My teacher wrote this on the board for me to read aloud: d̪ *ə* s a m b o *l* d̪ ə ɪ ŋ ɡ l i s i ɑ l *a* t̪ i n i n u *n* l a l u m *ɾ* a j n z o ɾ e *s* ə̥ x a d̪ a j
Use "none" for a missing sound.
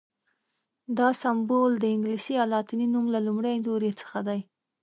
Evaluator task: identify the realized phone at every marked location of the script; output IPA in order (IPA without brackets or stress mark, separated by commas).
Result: ɑ, l, ɑ, m, ɽ, t͡s